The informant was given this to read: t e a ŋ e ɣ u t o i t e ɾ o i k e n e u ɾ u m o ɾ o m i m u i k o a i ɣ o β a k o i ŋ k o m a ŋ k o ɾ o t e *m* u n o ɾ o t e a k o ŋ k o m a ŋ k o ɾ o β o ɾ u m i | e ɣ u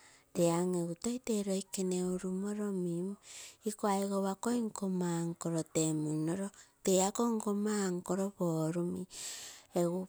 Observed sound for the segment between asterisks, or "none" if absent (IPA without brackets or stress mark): m